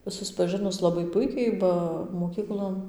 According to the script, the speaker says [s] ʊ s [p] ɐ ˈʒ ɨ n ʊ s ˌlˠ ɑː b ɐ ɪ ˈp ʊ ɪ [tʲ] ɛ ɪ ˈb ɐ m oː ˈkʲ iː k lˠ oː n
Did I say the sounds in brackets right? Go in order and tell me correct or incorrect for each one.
correct, correct, incorrect: kʲ

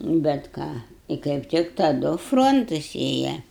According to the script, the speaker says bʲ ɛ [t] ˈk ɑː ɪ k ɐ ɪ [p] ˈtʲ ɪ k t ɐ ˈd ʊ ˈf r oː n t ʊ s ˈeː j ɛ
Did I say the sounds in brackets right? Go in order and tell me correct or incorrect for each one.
correct, correct

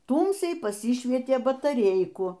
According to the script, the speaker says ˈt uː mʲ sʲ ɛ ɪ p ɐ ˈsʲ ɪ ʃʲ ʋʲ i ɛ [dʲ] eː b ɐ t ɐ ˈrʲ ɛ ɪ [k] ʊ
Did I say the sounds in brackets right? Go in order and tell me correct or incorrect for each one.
incorrect: tʲ, correct

